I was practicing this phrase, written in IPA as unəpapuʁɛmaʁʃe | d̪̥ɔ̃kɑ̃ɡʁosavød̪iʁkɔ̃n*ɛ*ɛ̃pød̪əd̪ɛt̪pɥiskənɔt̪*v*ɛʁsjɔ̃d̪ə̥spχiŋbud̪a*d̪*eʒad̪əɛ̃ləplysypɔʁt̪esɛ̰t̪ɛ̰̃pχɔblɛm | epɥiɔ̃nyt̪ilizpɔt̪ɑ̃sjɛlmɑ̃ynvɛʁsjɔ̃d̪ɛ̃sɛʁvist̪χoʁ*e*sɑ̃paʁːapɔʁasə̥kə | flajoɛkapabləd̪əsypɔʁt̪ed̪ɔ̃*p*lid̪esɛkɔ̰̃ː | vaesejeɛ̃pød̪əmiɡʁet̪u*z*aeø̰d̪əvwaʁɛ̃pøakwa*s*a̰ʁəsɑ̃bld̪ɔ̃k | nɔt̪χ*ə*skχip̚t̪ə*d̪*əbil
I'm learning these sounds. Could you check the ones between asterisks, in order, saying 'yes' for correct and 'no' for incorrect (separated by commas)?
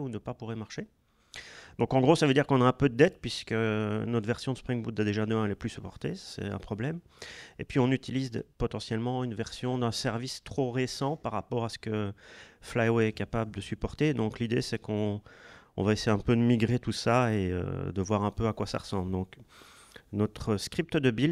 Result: no, yes, yes, yes, no, no, yes, yes, yes